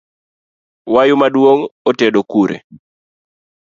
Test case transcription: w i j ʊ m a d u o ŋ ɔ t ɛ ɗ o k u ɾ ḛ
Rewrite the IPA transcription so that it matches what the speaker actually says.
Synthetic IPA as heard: w a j ʊ m a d w o ŋ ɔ t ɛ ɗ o k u ɾ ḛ